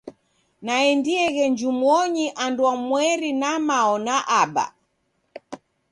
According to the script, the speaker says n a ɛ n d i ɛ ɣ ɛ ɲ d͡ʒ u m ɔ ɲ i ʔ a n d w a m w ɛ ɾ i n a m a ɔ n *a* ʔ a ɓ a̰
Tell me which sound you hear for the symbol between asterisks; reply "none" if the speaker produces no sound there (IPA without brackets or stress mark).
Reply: a